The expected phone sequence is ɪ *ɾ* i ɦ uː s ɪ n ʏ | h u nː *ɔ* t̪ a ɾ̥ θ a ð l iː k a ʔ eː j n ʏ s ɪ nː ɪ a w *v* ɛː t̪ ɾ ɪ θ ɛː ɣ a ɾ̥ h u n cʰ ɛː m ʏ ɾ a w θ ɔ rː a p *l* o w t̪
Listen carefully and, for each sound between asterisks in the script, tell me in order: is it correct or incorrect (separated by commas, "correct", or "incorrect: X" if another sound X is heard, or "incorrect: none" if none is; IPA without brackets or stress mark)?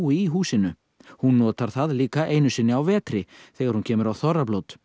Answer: incorrect: none, incorrect: ɔː, correct, correct